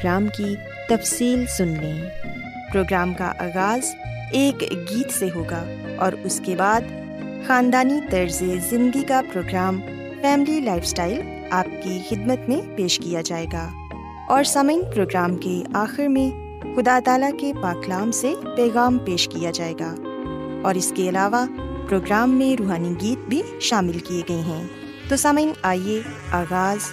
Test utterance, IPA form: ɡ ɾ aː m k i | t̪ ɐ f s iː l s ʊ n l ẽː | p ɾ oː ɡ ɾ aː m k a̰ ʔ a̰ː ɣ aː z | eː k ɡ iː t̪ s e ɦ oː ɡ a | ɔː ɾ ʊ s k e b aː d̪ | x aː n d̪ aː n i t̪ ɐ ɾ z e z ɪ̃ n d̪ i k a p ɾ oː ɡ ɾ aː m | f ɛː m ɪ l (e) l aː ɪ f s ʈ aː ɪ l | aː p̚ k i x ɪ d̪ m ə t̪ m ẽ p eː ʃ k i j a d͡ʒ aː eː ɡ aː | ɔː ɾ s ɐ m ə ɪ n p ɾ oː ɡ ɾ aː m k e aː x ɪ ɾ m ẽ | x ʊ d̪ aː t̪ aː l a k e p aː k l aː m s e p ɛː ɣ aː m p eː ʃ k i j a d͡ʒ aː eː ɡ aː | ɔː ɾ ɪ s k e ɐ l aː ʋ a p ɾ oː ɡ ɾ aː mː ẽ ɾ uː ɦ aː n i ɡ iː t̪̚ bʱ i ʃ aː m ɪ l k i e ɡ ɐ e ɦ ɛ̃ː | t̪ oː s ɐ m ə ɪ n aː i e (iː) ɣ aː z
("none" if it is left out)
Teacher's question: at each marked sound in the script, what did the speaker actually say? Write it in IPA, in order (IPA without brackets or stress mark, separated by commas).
i, aː